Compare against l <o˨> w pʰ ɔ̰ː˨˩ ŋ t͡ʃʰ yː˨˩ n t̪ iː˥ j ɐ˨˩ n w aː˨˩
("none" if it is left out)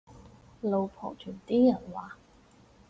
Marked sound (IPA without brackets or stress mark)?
o˨